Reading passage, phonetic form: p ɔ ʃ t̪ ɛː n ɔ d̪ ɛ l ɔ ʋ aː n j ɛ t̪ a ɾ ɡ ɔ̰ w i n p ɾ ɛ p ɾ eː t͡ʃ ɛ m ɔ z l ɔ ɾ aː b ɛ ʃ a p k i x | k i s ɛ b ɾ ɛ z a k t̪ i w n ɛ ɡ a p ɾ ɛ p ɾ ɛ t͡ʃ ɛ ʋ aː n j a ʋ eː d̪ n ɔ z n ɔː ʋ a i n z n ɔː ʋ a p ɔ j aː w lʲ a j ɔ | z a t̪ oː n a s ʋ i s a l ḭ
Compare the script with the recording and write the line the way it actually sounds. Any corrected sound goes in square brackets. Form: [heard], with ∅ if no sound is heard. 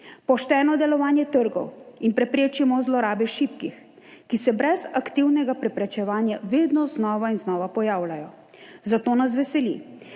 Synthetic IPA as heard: p ɔ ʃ t̪ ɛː n ɔ d̪ ɛ l ɔ ʋ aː n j ɛ t̪ [ə] ɾ ɡ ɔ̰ w i n p ɾ ɛ p ɾ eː t͡ʃ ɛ m ɔ z l ɔ ɾ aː b ɛ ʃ [i] p k i x | k i s ɛ b ɾ ɛ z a k t̪ i w n ɛ ɡ a p ɾ ɛ p ɾ ɛ t͡ʃ ɛ ʋ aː n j a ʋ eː d̪ n ɔ z n ɔː ʋ a i n z n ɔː ʋ a p ɔ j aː w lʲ a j ɔ | z a t̪ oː n a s ʋ [ɛ] s [ɛ] l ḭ